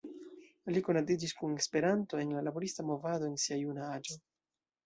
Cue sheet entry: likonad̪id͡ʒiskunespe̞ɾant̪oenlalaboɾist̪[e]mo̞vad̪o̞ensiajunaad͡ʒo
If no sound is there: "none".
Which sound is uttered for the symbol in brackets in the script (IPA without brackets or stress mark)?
a